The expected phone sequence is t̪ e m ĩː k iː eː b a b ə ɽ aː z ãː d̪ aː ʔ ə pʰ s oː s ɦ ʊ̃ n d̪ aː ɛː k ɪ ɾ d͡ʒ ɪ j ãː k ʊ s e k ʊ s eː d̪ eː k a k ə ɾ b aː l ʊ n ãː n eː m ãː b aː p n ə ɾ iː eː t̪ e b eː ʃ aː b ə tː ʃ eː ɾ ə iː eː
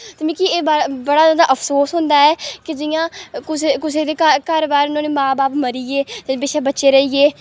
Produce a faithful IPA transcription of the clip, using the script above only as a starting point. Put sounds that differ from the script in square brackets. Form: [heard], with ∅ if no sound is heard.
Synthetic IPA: t̪ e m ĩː k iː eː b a b ə ɽ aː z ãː d̪ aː ʔ ə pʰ s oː s ɦ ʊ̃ n d̪ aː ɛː k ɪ [∅] d͡ʒ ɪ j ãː k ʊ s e k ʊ s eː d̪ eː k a k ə ɾ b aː [ɾ] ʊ n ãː n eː m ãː b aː p [m] ə ɾ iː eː t̪ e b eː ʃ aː b ə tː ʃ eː ɾ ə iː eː